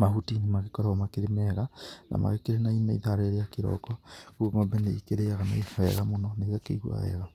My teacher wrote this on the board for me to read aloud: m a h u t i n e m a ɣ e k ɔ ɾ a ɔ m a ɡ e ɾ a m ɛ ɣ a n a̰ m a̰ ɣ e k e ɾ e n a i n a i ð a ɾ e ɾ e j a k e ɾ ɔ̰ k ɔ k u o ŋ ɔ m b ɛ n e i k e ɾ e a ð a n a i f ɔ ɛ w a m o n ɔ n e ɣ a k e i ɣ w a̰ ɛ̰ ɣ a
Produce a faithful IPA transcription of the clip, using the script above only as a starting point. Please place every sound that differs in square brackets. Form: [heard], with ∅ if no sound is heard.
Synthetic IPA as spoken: m a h u t i n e m a ɣ e k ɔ ɾ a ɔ m a [k] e ɾ [e] m ɛ ɣ a n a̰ m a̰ ɣ e k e ɾ e n a i n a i ð a ɾ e ɾ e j a k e ɾ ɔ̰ k ɔ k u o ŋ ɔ m b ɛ n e i k e ɾ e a [ɣ] a n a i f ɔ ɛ [ɣ] a m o n ɔ n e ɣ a k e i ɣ w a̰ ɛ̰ ɣ a